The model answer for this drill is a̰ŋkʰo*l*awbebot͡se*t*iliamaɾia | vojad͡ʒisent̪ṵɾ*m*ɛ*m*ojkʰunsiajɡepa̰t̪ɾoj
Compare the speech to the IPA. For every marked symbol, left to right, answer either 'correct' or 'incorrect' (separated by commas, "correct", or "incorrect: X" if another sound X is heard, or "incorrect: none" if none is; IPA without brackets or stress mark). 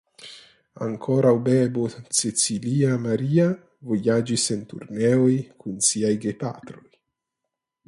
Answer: incorrect: ɾ, incorrect: t͡s, incorrect: n, incorrect: none